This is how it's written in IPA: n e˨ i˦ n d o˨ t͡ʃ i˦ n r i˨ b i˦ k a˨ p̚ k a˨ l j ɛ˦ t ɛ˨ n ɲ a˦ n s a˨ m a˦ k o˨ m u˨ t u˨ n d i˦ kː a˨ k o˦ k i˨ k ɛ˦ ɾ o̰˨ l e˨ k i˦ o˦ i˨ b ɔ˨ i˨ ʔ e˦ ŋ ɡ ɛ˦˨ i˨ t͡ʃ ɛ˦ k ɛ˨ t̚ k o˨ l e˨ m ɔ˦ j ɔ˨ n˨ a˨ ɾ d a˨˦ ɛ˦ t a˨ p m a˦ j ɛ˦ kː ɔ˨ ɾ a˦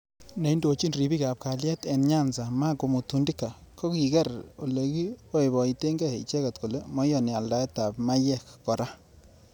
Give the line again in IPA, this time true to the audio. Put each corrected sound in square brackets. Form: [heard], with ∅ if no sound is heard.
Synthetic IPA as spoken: n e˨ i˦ n d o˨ t͡ʃ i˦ n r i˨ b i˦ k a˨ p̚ k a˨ l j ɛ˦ t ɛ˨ n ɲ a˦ n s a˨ m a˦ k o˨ m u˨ t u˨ n d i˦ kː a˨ k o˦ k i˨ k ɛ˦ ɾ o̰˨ l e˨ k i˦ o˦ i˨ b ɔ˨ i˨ [t] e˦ ŋ ɡ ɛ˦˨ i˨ t͡ʃ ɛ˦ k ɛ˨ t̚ k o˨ l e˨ m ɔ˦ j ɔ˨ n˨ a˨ [l] d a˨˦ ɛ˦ t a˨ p m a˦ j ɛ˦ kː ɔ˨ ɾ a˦